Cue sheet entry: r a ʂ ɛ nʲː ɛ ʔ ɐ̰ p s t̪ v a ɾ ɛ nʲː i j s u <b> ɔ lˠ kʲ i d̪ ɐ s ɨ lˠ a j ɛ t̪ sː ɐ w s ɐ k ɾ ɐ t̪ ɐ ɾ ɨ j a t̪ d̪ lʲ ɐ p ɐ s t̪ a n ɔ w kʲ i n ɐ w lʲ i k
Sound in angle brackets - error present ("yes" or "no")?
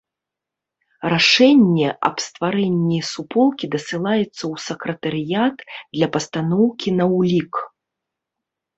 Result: yes